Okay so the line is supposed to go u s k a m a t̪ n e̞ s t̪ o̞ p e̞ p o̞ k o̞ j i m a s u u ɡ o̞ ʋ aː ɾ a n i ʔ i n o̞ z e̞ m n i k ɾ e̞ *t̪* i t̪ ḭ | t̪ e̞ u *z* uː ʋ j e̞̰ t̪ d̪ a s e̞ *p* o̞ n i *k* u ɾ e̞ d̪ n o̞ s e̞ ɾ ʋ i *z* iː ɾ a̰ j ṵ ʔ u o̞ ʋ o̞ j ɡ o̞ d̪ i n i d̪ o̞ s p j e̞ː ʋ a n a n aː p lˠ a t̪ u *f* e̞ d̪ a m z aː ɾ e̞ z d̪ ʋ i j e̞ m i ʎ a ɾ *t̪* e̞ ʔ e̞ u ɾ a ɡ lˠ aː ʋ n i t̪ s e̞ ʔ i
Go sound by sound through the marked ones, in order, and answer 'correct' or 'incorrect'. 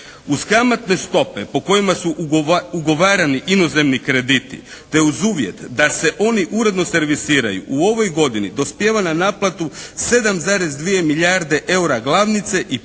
incorrect: d̪, correct, incorrect: ʔ, incorrect: ʔ, incorrect: s, incorrect: s, incorrect: d̪

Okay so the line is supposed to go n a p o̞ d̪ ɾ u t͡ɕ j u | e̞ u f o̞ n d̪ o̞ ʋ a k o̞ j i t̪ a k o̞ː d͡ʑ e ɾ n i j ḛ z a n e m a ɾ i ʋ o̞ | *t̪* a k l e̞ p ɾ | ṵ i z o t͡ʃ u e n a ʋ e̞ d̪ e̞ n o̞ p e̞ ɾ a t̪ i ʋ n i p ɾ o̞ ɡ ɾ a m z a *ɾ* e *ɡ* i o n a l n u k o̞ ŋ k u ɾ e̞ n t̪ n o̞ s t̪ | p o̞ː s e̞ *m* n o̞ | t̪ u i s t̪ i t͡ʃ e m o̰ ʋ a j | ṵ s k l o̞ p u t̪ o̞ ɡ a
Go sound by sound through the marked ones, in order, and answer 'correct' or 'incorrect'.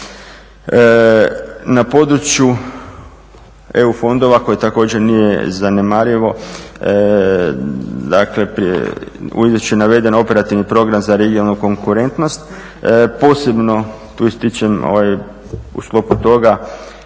incorrect: d̪, correct, correct, incorrect: b

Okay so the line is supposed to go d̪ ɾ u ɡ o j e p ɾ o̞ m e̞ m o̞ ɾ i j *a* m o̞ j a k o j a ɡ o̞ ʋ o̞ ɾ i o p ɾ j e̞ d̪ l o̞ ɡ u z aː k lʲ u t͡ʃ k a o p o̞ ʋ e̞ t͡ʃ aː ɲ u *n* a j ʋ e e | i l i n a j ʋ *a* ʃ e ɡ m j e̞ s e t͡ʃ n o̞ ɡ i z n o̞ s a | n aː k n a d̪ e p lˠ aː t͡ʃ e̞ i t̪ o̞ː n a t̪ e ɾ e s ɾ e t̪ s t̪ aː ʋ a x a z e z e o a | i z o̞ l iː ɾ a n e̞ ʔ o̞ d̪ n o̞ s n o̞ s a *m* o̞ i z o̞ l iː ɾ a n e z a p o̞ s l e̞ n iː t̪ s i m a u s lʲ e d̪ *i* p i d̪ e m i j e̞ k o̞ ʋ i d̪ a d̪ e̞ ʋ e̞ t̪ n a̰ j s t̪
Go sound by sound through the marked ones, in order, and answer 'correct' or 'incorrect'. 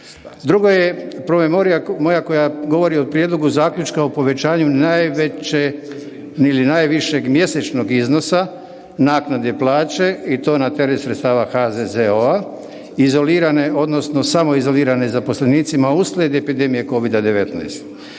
correct, correct, incorrect: i, correct, incorrect: e

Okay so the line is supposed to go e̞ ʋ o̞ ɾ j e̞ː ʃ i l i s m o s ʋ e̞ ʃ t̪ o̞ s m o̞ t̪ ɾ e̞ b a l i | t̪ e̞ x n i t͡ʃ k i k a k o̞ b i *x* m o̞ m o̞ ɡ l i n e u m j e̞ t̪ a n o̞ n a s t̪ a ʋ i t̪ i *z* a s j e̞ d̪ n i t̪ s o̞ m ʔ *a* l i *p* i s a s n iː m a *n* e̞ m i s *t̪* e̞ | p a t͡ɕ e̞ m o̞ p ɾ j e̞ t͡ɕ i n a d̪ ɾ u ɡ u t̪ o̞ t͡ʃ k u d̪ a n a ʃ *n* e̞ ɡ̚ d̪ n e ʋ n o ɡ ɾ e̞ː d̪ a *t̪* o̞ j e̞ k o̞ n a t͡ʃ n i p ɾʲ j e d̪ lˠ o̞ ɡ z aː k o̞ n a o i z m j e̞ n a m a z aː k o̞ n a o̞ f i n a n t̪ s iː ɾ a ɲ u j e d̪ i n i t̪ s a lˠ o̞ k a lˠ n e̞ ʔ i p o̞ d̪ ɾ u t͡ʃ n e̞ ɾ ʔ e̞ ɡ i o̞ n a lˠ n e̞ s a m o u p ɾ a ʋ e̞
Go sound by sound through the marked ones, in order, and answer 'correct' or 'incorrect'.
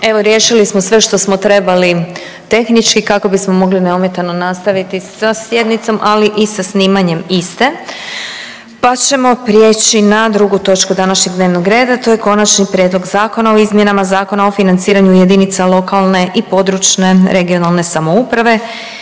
incorrect: s, incorrect: s, correct, incorrect: ʔ, incorrect: ɲ, correct, incorrect: ɲ, correct

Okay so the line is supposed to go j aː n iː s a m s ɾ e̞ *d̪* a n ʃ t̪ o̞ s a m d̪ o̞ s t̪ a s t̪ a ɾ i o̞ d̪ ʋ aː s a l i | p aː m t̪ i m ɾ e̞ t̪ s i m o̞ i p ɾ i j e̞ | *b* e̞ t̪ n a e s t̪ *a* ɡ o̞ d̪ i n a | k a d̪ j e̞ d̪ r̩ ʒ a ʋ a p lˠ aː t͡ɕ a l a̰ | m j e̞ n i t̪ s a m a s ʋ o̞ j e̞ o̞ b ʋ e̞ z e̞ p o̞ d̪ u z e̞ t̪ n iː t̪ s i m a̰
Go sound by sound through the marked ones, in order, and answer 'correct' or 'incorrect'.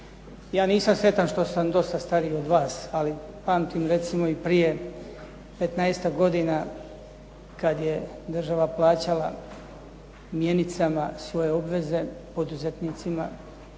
incorrect: t̪, incorrect: p, correct

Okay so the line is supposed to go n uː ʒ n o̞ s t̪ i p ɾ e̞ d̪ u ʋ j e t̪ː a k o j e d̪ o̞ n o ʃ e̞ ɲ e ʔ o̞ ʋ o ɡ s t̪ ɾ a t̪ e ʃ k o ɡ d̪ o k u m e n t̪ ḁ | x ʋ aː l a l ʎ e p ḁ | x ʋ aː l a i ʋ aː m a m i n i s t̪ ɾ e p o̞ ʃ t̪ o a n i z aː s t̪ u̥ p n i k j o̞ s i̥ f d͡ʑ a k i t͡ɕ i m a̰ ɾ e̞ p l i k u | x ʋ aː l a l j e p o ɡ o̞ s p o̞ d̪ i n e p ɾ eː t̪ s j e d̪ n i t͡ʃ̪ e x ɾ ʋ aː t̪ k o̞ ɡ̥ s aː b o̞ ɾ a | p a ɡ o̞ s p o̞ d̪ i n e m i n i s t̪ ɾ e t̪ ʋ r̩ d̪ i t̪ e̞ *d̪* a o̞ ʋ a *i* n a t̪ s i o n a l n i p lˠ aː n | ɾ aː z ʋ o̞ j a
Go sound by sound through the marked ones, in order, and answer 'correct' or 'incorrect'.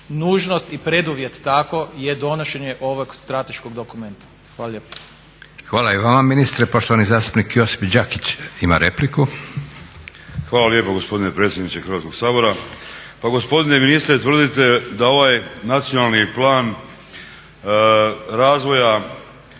correct, incorrect: j

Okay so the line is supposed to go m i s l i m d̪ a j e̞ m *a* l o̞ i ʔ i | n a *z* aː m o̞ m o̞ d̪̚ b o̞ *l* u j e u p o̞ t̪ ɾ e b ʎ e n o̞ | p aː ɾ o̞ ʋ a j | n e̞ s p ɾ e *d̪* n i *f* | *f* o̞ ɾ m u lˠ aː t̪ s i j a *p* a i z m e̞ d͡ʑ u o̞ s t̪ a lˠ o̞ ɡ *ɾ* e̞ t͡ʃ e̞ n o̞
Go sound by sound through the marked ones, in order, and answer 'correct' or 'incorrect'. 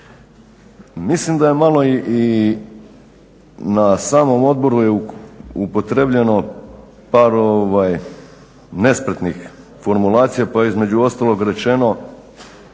correct, incorrect: s, incorrect: ɾ, incorrect: t̪, incorrect: x, correct, correct, correct

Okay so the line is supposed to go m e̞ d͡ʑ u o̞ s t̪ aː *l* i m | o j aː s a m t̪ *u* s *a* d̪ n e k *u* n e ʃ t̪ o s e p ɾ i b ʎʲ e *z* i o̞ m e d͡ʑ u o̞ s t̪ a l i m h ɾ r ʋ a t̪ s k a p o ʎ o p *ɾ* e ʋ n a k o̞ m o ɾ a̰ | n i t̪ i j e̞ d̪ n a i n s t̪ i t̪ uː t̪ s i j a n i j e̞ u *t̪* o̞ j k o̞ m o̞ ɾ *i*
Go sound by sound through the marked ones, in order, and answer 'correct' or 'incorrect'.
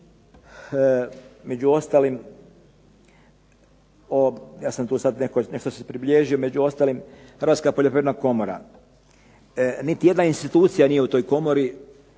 correct, incorrect: uː, correct, incorrect: o, incorrect: ʒ, correct, correct, correct

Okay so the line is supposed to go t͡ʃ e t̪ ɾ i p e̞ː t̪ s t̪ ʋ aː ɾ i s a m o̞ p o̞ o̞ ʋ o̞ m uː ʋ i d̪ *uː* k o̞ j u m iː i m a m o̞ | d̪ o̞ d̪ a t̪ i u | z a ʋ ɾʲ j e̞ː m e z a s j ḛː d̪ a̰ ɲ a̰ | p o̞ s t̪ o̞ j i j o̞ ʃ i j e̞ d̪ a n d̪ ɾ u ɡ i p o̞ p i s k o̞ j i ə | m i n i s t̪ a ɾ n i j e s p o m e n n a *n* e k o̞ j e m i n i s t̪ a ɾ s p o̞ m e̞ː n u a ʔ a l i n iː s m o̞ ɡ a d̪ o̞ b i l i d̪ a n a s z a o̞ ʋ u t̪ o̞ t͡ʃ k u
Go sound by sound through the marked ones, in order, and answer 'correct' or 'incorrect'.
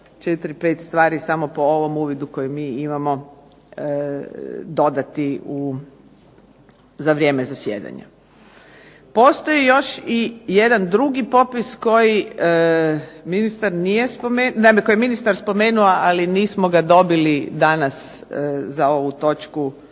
incorrect: u, incorrect: m

